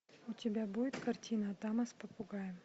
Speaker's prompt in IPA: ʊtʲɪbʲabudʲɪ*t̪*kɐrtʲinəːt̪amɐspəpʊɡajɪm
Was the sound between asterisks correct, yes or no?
yes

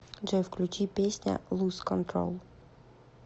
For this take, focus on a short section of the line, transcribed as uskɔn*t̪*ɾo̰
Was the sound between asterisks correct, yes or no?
yes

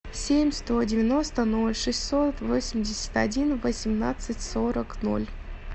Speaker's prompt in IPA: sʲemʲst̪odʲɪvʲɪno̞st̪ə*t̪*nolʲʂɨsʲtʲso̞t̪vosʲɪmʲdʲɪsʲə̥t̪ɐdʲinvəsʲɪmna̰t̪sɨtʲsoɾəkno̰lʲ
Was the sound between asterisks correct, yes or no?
no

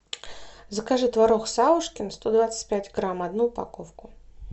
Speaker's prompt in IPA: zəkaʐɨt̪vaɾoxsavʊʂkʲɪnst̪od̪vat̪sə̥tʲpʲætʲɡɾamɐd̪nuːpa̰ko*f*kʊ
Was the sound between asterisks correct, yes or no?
yes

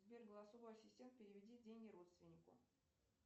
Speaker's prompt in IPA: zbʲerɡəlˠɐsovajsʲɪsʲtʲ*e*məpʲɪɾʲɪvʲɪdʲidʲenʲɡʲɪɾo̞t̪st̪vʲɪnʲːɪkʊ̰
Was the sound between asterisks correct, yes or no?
yes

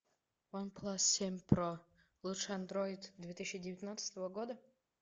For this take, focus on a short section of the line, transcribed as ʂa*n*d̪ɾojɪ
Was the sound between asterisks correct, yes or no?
yes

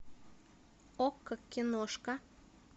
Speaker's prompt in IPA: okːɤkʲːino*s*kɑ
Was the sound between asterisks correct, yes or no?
no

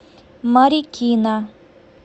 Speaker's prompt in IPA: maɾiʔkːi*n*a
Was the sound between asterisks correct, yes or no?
yes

